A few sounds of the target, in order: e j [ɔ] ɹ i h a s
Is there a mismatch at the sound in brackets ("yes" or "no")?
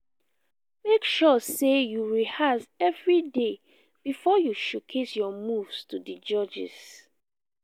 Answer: yes